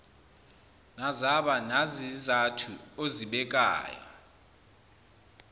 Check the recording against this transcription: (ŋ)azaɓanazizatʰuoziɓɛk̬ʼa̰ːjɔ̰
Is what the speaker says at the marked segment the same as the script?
no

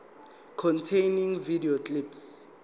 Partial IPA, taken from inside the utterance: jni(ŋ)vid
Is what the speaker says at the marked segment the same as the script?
yes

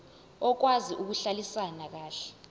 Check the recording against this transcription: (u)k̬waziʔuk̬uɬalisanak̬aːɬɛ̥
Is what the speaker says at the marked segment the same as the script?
no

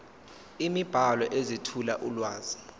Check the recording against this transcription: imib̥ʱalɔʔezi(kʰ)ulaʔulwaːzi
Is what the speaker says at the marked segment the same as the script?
no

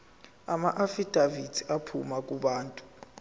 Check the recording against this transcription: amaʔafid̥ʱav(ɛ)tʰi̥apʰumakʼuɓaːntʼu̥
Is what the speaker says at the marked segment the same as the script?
no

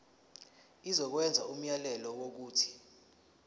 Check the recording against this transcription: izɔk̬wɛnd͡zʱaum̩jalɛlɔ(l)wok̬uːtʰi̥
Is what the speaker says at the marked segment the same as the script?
no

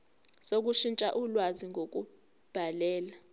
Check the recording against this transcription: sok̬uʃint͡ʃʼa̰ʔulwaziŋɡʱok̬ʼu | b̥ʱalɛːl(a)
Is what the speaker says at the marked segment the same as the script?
yes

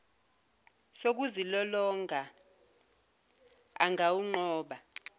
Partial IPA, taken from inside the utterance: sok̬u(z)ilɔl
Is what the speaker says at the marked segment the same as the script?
yes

